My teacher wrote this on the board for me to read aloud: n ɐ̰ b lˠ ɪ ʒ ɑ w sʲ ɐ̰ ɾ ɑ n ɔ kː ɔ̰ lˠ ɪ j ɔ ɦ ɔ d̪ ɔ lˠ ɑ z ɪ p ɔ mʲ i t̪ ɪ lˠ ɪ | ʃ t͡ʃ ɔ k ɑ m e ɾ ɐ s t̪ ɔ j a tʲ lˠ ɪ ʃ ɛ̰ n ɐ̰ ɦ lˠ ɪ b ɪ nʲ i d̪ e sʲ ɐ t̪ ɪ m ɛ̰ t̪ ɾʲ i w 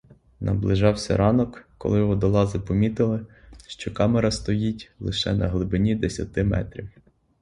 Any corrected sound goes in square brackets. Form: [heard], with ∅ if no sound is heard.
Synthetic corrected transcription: n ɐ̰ b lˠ ɪ ʒ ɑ w sʲ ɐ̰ ɾ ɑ n ɔ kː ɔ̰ lˠ ɪ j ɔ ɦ ɔ d̪ ɔ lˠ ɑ z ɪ p ɔ mʲ i t̪ ɪ lˠ ɪ | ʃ t͡ʃ ɔ k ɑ m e ɾ ɐ s t̪ ɔ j [i] tʲ lˠ ɪ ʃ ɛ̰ n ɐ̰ ɦ lˠ ɪ b ɪ nʲ i d̪ e sʲ ɐ t̪ ɪ m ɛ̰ t̪ ɾʲ i w

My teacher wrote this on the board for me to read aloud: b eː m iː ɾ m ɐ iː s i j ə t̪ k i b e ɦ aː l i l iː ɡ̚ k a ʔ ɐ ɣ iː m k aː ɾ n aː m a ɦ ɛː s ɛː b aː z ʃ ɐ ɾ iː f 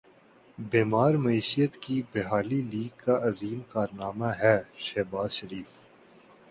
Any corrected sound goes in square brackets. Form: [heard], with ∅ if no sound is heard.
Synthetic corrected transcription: b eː m [aː] ɾ m ɐ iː [ʃ] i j ə t̪ k i b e ɦ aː l i l iː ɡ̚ k a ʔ ɐ [z] iː m k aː ɾ n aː m a ɦ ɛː [ʃ] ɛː b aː z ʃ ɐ ɾ iː f

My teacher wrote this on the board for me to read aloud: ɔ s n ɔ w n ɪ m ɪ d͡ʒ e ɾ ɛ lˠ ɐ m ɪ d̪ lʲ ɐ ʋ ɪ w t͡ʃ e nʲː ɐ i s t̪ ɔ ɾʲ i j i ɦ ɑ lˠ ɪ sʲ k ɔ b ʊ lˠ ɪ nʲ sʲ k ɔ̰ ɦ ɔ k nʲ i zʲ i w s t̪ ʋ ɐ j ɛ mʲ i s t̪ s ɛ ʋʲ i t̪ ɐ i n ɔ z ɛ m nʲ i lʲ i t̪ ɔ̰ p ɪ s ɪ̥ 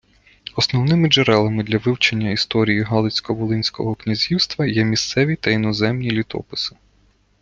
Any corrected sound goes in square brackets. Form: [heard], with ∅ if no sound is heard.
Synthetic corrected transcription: ɔ s n ɔ w n ɪ m ɪ d͡ʒ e ɾ ɛ lˠ ɐ m ɪ d̪ lʲ ɐ ʋ ɪ w t͡ʃ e nʲː ɐ i s t̪ ɔ ɾʲ i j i ɦ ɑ lˠ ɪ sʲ k ɔ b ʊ lˠ ɪ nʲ sʲ k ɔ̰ ɦ ɔ k nʲ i zʲ i w s t̪ ʋ ɐ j ɛ mʲ i s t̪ s ɛ ʋʲ i t̪ ɐ i n ɔ z ɛ m nʲ i lʲ i t̪ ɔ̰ p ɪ s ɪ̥

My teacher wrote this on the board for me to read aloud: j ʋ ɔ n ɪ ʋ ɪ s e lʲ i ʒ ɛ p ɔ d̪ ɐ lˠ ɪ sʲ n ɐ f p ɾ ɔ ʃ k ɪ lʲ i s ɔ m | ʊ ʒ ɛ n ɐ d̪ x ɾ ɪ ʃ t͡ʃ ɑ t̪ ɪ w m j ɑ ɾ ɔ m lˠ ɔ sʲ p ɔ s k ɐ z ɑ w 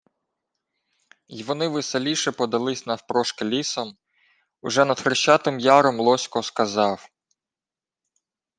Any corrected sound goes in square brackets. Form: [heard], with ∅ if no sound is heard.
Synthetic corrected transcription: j ʋ ɔ n ɪ ʋ ɪ s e lʲ i [ʃ] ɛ p ɔ d̪ ɐ lˠ ɪ sʲ n ɐ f p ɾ ɔ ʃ k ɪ lʲ i s ɔ m | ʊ ʒ ɛ n ɐ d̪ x ɾ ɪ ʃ t͡ʃ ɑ t̪ ɪ [∅] m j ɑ ɾ ɔ m lˠ ɔ sʲ [k] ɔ s k ɐ z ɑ w

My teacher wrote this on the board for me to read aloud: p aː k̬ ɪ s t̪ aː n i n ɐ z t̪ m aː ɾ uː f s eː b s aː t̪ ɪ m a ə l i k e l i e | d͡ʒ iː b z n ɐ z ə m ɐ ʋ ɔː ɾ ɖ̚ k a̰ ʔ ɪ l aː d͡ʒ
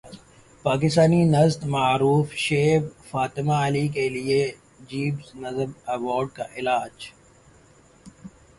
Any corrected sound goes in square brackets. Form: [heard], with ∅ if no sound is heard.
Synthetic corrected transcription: p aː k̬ ɪ s t̪ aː n i n ɐ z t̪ m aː ɾ uː f [ʃ] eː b [f] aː t̪ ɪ m a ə l i k e l i e | d͡ʒ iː b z n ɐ z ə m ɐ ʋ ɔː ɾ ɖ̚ k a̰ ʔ ɪ l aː d͡ʒ

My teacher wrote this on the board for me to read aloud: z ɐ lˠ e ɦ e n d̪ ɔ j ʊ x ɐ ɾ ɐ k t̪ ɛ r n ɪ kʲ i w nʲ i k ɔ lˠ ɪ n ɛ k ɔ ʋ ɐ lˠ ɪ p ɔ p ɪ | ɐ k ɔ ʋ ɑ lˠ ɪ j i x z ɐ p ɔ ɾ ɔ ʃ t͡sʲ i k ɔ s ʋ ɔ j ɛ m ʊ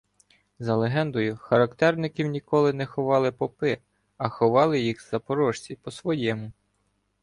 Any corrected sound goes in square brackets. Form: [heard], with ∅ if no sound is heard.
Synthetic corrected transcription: z ɐ lˠ e ɦ [ɛ] n d̪ ɔ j ʊ x ɐ ɾ ɐ k t̪ ɛ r n ɪ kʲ i w nʲ i k ɔ lˠ ɪ n ɛ [x] ɔ ʋ [ɑ] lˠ ɪ p ɔ p ɪ | ɐ [x] ɔ ʋ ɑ lˠ ɪ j i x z ɐ p ɔ ɾ ɔ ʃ t͡sʲ i [p] ɔ s ʋ ɔ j ɛ m ʊ

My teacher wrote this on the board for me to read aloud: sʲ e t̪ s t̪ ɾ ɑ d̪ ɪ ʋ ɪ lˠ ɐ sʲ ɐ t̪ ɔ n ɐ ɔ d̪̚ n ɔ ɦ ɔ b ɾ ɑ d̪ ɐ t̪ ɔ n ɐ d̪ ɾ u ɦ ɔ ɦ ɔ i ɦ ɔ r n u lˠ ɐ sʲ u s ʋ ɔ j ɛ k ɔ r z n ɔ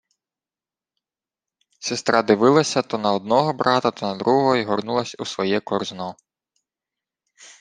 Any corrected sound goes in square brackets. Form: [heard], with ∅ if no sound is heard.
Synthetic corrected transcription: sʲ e [∅] s t̪ ɾ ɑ d̪ ɪ ʋ ɪ lˠ ɐ sʲ ɐ t̪ ɔ n ɐ ɔ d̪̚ n ɔ ɦ ɔ b ɾ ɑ [t̪] ɐ t̪ ɔ n ɐ d̪ ɾ u ɦ ɔ ɦ ɔ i ɦ ɔ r n u lˠ ɐ sʲ u s ʋ ɔ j ɛ k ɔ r z n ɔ

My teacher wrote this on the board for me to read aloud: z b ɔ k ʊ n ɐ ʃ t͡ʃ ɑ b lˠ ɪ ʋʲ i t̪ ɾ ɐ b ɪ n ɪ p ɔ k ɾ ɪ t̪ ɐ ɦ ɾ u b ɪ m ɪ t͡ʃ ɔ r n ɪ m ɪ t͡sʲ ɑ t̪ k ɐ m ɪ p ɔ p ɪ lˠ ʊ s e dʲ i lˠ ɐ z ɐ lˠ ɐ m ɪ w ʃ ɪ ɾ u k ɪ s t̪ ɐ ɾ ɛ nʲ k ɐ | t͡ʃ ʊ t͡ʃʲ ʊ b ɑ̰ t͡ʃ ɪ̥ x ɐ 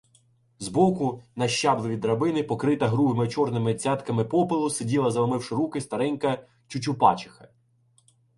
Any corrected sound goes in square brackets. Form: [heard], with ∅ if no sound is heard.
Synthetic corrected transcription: z b ɔ k ʊ n ɐ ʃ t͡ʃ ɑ b lˠ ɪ ʋʲ i [d̪] ɾ ɐ b ɪ n ɪ p ɔ k ɾ ɪ t̪ ɐ ɦ ɾ u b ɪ m ɪ t͡ʃ ɔ r n ɪ m ɪ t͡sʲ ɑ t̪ k ɐ m ɪ p ɔ p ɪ lˠ ʊ s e dʲ i lˠ ɐ z ɐ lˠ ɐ m ɪ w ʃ ɪ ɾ u k ɪ s t̪ ɐ ɾ ɛ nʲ k ɐ | t͡ʃ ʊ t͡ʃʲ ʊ [p] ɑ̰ t͡ʃ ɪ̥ x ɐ

